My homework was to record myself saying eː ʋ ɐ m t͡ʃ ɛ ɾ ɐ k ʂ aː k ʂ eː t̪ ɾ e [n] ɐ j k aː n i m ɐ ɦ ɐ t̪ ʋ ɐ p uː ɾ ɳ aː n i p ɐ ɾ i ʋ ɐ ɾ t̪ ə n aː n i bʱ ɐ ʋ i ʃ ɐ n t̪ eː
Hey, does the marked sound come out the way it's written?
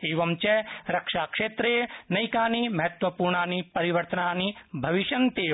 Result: yes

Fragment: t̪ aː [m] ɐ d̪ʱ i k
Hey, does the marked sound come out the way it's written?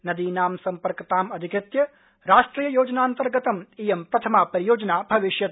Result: yes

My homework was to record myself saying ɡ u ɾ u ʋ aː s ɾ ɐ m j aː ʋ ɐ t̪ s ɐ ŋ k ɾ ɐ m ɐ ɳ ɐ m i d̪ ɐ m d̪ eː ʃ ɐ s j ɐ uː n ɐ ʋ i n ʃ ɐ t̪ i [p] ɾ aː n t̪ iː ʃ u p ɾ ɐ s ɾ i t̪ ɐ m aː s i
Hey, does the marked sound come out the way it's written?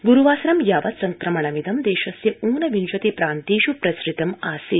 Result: yes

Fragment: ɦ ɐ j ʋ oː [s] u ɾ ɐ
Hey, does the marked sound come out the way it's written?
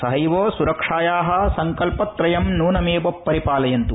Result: yes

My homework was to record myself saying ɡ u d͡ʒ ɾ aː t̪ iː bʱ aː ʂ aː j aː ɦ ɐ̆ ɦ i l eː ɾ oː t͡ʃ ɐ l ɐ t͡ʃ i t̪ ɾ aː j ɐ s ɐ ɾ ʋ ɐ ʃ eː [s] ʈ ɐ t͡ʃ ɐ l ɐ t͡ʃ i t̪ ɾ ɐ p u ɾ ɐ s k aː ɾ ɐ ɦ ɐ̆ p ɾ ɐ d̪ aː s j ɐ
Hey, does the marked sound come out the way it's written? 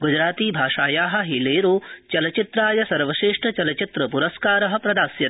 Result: no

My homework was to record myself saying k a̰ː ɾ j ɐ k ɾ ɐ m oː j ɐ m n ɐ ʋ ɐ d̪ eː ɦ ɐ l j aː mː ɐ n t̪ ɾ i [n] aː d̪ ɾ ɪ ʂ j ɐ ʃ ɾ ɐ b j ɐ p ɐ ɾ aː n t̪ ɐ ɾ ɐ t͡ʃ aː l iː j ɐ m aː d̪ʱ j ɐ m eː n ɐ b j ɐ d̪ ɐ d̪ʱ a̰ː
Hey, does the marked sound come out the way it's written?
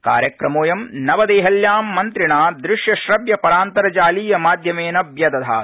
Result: no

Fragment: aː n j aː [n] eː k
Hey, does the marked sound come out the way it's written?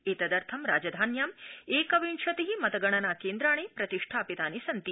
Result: no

